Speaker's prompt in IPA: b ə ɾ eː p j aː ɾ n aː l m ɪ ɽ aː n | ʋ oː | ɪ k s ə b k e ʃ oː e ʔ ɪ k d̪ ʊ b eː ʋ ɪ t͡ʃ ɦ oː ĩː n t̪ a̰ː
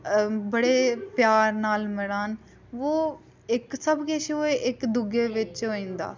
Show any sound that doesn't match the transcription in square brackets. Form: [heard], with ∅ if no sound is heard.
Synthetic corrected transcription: b ə [ɽ] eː p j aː ɾ n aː l m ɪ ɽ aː n | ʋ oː | ɪ k s ə b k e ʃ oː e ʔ ɪ k d̪ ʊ [ɡ] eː ʋ ɪ t͡ʃ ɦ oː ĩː n [d̪] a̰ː